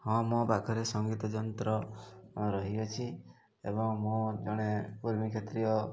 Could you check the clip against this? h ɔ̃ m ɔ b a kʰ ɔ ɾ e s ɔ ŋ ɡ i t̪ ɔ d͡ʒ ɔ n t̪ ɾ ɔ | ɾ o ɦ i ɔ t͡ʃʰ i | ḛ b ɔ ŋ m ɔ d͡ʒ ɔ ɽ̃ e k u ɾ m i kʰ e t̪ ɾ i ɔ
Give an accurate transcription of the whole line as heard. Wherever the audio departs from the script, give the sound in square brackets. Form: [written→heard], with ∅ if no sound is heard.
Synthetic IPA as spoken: h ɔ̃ m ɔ b a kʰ ɔ ɾ e s ɔ ŋ ɡ i t̪ ɔ d͡ʒ ɔ n t̪ ɾ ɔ | ɾ [o→ɔ] ɦ i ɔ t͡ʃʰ i | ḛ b ɔ ŋ m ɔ d͡ʒ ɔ ɽ̃ e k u ɾ m i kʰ e t̪ ɾ i ɔ